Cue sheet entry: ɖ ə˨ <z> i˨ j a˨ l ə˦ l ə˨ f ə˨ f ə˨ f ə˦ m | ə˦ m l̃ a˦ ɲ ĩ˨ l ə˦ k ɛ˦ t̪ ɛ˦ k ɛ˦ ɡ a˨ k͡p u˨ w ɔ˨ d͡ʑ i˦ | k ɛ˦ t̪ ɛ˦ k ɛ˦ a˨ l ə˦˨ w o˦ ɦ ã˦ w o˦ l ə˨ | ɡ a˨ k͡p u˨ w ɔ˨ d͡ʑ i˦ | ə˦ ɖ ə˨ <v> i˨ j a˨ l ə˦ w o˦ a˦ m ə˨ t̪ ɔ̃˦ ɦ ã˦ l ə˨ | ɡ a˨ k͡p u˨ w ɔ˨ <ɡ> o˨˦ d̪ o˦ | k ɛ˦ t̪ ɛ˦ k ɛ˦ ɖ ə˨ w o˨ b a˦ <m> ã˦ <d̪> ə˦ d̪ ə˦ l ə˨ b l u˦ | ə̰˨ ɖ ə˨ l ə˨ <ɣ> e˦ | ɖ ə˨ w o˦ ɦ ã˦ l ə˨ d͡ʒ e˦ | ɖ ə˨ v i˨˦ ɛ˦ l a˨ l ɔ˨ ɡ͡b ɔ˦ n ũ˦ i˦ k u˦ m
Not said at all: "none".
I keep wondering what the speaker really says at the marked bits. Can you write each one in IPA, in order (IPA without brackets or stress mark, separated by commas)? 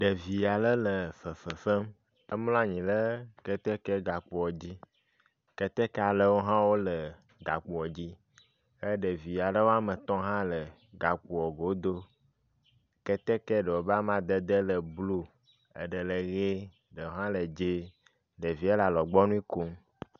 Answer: v, v, ɡ, m, d̪, ɣ